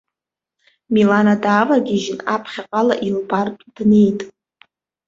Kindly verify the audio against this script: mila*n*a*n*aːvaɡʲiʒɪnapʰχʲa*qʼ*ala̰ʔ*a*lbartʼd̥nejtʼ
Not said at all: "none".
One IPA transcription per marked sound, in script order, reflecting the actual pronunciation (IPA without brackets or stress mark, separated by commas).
n, d, qʼ, i